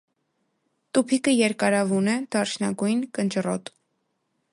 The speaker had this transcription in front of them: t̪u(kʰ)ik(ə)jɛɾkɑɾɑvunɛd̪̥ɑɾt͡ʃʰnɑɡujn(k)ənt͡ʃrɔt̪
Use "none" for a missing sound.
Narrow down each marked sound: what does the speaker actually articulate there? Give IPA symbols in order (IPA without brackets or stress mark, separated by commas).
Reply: pʰ, ə, k